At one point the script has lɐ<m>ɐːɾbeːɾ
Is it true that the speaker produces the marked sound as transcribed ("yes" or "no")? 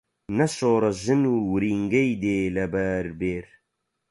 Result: no